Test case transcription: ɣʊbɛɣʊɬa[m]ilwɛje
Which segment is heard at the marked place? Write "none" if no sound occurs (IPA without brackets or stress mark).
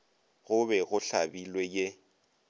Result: b